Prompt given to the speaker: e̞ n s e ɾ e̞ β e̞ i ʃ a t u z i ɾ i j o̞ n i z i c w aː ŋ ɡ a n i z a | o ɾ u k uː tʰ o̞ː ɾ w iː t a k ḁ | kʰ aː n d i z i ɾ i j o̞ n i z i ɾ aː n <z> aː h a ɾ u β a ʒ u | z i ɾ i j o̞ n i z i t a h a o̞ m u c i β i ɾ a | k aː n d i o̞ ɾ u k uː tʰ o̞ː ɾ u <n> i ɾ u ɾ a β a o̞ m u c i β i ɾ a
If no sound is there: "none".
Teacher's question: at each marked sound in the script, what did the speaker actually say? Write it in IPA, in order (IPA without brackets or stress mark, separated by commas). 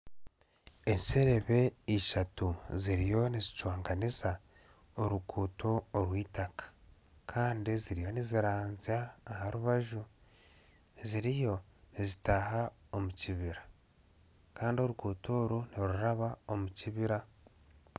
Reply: z, n